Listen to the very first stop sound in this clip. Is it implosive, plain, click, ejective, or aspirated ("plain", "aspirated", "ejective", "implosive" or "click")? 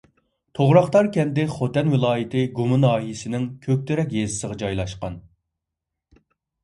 aspirated